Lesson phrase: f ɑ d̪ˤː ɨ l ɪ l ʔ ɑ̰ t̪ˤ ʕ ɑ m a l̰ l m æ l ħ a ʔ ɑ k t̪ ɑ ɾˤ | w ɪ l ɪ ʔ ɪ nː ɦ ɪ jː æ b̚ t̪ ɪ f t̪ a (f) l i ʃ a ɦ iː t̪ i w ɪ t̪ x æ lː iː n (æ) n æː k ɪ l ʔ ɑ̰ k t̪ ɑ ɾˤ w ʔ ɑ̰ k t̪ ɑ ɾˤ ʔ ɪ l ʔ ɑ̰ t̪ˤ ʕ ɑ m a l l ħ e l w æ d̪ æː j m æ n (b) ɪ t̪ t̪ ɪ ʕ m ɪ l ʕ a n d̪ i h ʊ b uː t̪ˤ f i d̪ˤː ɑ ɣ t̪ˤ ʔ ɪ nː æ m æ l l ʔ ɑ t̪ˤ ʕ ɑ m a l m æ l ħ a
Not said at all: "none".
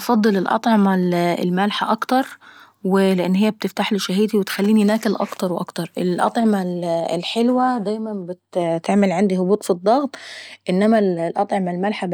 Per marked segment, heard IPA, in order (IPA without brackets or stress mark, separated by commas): ħ, i, b